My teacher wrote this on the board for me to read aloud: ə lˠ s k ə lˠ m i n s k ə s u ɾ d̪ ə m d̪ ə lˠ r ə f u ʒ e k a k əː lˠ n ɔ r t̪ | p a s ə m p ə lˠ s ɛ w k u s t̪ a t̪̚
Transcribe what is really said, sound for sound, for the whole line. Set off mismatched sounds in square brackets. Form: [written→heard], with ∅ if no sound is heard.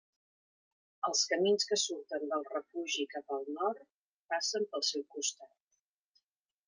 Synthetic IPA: ə lˠ s k ə [lˠ→∅] m i n s k ə s u ɾ [d̪→t̪] ə [m→n] d̪ ə lˠ r ə f u ʒ [e→i] k a [k→p] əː lˠ n ɔ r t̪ | p a s ə m p ə lˠ s ɛ w k u s t̪ a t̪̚

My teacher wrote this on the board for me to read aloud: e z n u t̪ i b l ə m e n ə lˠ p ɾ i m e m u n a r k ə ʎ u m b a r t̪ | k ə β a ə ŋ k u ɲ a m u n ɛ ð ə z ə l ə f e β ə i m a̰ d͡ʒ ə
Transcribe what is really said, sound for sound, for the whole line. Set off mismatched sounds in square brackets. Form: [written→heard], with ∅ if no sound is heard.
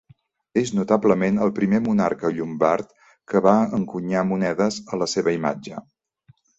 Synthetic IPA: e z n u t̪ [i→a] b l ə m e n ə lˠ p ɾ i m e m u n a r k ə ʎ u m b a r t̪ | k ə β a ə ŋ k u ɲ a m u n ɛ ð ə z ə l ə [f→s] e β ə i m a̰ d͡ʒ ə

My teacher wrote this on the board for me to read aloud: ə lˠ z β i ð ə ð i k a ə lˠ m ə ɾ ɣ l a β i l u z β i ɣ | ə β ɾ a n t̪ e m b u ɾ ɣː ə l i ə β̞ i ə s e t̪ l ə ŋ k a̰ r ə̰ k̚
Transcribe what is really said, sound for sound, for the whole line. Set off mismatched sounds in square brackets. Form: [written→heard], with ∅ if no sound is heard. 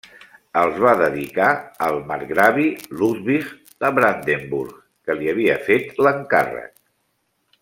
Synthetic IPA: ə lˠ z β [i→a] ð ə ð i k a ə lˠ m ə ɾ ɣ [l→ɾ] a β i l u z β i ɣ | ə β ɾ a n [t̪→d̪] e m b u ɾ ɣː ə l i ə β̞ i ə [s→f] e t̪ l ə ŋ k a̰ r ə̰ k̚

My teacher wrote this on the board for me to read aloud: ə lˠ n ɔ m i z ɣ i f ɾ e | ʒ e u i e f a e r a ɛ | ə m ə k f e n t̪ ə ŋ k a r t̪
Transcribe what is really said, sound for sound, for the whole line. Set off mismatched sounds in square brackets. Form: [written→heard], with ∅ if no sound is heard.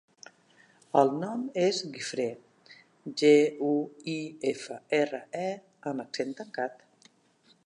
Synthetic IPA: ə lˠ n ɔ m [i→e] z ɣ i f ɾ e | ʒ e u i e f [a→ə] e r [a→ə] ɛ | ə m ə k [f→s] e n t̪ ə ŋ k a [r→∅] t̪

